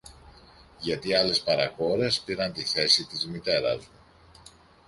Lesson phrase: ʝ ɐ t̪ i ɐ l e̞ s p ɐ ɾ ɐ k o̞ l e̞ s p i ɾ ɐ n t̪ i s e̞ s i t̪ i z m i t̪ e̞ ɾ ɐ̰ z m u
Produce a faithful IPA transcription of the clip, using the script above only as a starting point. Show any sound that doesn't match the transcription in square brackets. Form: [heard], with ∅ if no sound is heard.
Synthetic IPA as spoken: ʝ ɐ t̪ i ɐ l e̞ s p ɐ ɾ ɐ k o̞ [ɾ] e̞ s p i ɾ ɐ n t̪ i [θ] e̞ s i t̪ i z m i t̪ e̞ ɾ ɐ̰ z m u